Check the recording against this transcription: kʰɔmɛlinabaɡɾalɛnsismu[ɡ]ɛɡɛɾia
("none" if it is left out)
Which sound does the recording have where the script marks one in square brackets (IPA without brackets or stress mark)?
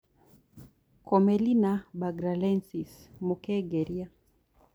k